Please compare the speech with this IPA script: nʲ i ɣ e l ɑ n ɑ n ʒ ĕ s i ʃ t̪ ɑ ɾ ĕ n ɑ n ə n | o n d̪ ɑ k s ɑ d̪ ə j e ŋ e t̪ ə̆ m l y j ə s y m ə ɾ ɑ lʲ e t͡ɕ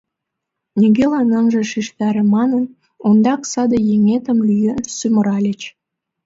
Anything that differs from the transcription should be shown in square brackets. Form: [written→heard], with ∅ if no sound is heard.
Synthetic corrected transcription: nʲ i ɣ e l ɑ n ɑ n ʒ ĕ [s→ʃ] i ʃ t̪ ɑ ɾ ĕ [n→m] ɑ n ə n | o n d̪ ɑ k s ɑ d̪ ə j e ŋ e t̪ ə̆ m l y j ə s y m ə ɾ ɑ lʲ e t͡ɕ